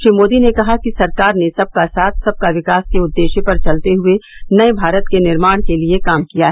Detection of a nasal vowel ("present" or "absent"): absent